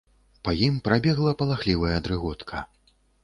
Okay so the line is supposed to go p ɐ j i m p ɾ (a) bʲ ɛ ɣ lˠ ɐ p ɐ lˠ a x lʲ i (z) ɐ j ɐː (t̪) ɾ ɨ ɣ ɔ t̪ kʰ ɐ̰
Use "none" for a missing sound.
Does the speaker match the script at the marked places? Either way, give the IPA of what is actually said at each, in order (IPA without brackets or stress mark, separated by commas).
a, v, d̪